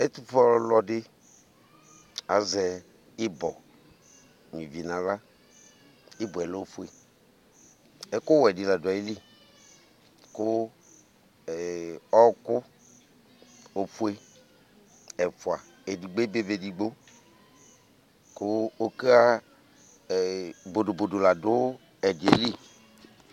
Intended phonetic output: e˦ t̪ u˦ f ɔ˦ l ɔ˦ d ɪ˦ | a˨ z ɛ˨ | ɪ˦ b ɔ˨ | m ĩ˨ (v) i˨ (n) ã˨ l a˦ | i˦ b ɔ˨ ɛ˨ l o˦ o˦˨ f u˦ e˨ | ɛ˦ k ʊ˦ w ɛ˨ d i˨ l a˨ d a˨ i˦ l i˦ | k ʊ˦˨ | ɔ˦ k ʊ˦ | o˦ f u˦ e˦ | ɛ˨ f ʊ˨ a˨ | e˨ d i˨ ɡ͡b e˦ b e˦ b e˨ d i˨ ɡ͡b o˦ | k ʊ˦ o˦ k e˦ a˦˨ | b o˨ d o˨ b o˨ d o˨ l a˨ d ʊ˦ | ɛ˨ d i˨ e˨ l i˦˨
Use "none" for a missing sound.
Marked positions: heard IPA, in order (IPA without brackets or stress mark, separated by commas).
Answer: v, n